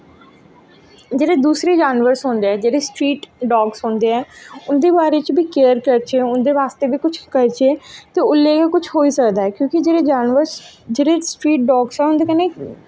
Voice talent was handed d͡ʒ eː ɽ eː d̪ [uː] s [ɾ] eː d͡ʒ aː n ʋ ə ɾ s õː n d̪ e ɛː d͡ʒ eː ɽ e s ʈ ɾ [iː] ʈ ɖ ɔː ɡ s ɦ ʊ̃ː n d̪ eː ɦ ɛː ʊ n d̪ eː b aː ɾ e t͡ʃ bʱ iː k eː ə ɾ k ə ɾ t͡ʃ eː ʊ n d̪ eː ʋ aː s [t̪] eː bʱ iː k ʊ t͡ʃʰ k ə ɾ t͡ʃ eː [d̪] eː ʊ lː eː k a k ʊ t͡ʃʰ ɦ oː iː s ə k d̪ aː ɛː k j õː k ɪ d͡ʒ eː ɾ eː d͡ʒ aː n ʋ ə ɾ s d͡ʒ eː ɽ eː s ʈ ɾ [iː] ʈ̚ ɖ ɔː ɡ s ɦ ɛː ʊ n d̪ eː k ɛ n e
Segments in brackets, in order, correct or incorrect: correct, correct, correct, correct, incorrect: t̪, correct

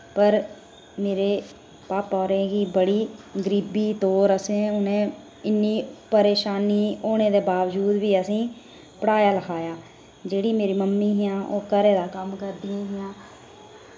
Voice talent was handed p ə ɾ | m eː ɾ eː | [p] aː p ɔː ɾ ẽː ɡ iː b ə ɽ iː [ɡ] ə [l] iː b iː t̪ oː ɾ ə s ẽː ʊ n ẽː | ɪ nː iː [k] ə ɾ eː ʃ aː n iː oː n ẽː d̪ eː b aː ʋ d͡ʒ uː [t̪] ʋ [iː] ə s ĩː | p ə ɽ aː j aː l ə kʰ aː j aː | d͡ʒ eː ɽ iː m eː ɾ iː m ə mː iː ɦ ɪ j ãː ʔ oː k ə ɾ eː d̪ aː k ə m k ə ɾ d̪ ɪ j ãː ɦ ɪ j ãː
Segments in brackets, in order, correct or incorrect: correct, correct, incorrect: ɾ, incorrect: p, incorrect: d̪, correct

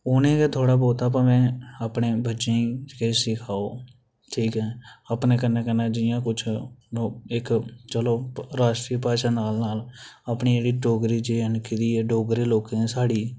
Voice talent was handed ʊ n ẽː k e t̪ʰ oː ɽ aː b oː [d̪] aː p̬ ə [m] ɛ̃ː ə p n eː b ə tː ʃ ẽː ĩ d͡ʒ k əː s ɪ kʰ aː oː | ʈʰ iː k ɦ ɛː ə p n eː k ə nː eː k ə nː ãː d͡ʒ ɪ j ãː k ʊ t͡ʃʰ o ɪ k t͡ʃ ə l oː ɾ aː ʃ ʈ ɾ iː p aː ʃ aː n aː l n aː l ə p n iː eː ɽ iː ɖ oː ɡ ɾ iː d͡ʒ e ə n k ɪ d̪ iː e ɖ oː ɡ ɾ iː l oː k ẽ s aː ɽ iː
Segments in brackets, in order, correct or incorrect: incorrect: t̪, correct

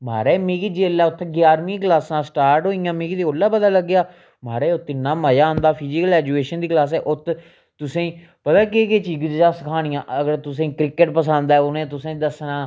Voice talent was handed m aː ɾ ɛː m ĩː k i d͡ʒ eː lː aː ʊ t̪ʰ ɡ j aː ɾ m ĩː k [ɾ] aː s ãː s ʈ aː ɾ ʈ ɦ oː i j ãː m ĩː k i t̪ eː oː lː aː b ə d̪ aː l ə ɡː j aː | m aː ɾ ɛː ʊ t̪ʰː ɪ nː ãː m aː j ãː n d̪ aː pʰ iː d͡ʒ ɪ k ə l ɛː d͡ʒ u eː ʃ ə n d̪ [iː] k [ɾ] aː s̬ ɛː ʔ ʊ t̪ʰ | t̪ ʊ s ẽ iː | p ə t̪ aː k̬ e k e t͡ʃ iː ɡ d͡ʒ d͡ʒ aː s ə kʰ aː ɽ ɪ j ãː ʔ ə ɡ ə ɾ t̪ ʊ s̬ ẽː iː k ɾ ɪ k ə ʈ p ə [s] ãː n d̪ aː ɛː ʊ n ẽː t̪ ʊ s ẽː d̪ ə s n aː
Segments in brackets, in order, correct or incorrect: incorrect: l, correct, incorrect: l, correct

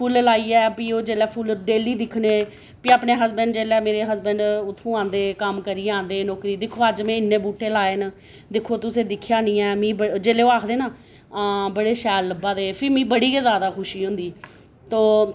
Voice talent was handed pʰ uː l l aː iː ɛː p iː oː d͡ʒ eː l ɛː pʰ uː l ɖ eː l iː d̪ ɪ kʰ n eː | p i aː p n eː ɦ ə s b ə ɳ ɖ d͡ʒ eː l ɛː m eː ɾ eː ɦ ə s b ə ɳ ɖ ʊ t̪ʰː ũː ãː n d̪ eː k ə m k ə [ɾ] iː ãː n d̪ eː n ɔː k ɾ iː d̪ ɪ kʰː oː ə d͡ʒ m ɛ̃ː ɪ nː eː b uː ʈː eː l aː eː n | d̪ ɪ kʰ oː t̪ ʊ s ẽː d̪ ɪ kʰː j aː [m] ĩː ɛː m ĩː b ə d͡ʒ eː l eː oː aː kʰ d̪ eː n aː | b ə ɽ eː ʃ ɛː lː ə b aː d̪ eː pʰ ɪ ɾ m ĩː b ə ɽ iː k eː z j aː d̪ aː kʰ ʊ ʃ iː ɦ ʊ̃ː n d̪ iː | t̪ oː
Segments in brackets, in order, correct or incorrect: correct, incorrect: n

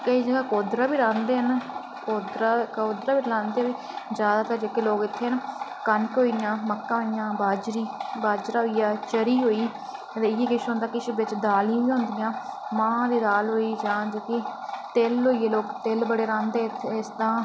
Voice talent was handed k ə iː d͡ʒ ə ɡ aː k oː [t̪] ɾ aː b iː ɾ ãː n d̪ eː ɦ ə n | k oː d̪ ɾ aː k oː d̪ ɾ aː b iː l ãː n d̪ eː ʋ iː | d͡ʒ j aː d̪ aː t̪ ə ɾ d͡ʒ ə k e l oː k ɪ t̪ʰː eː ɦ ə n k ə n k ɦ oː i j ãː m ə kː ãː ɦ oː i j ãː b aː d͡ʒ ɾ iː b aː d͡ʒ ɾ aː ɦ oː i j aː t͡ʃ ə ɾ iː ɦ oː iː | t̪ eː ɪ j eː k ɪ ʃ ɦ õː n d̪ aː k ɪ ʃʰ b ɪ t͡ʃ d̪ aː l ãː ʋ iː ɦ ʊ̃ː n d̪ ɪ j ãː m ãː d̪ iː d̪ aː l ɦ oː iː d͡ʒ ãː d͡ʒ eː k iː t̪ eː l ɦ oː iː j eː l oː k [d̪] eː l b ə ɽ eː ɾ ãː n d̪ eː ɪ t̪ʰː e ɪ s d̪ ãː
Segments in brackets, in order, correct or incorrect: incorrect: d̪, incorrect: t̪

